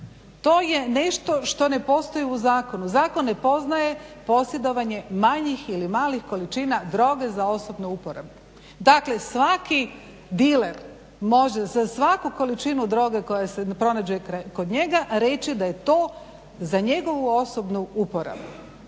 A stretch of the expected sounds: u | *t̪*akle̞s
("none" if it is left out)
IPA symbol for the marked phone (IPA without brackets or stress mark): d̪